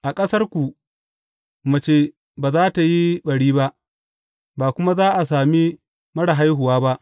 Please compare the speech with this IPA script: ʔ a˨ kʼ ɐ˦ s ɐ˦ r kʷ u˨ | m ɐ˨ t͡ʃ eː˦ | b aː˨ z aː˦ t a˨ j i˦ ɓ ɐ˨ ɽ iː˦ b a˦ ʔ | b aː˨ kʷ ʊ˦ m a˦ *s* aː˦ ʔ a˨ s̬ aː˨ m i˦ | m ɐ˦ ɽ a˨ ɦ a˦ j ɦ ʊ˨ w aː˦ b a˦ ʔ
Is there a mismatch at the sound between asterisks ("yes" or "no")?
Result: yes